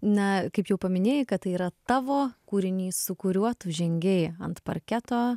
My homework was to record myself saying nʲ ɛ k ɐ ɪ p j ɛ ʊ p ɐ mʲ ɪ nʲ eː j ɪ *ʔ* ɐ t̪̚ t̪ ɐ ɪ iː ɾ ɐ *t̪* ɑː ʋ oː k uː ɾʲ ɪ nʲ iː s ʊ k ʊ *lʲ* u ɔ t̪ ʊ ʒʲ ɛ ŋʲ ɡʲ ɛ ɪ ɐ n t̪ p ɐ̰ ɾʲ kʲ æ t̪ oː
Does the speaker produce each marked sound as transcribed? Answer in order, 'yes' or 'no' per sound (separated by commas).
no, yes, no